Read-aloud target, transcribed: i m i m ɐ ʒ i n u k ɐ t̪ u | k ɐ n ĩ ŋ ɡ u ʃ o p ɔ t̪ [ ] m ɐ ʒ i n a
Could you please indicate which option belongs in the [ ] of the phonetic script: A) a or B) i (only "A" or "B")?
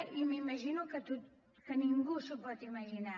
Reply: B